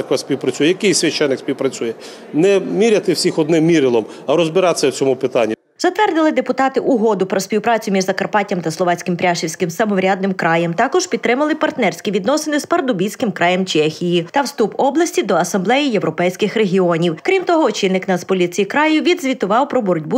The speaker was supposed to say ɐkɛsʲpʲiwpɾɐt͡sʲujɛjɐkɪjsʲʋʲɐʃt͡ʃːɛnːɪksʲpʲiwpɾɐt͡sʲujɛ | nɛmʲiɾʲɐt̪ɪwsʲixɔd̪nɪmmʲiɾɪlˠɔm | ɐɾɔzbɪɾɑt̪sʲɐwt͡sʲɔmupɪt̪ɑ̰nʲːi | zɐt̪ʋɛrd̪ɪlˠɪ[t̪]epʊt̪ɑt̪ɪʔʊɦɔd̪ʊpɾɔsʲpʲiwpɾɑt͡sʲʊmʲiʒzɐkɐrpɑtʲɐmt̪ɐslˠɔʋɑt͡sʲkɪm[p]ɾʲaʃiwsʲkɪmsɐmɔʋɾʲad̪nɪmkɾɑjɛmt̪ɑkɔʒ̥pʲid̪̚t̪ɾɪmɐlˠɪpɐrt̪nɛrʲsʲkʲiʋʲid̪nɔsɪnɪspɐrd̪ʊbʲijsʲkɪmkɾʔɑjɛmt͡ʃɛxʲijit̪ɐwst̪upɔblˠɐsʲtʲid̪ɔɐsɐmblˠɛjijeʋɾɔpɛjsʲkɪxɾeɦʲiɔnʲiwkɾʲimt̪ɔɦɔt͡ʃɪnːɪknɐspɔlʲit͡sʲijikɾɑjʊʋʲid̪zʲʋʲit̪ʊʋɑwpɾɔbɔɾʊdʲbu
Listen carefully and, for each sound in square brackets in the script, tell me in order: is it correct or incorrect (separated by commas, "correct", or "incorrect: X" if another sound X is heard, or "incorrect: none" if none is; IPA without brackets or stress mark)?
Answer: incorrect: d̪, correct